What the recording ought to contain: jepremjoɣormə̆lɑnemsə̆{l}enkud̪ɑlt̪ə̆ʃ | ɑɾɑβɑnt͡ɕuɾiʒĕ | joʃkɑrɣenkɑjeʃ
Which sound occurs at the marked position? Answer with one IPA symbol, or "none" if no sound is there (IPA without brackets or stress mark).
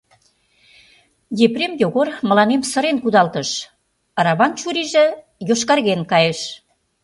ɾ